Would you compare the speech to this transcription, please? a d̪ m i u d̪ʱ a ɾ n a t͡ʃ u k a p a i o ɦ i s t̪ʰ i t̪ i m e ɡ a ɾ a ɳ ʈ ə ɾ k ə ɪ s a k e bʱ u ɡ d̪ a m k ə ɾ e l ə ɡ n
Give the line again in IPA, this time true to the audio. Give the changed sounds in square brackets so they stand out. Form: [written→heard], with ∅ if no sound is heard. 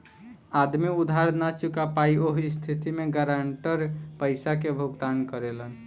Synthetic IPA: a d̪ m i u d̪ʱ a ɾ n a t͡ʃ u k a p a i o ɦ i s t̪ʰ i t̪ i m e ɡ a ɾ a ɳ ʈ ə ɾ [k→p] ə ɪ s a k e bʱ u ɡ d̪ a [m→n] k ə ɾ e l ə [ɡ→∅] n